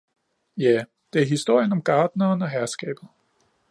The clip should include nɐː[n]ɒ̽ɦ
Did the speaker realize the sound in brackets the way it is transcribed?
yes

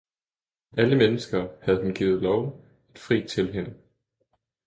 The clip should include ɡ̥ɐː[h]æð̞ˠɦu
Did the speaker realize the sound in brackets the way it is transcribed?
yes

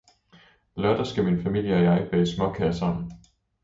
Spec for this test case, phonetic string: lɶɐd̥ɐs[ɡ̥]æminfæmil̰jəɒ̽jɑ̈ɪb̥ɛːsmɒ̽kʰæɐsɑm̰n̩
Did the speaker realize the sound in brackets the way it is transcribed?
yes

